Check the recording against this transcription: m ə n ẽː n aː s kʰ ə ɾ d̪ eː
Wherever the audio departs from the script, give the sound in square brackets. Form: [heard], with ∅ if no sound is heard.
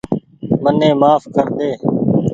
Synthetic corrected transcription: m ə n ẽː [m] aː [f] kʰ ə ɾ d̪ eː